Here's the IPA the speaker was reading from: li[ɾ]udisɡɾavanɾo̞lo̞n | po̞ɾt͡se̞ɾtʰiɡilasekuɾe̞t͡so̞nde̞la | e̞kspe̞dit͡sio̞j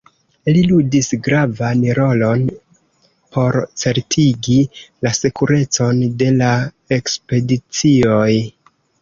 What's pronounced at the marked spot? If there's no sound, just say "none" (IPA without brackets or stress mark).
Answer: l